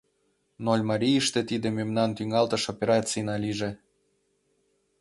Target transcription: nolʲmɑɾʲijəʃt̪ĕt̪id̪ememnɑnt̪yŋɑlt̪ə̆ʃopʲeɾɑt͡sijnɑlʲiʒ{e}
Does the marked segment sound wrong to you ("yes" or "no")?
no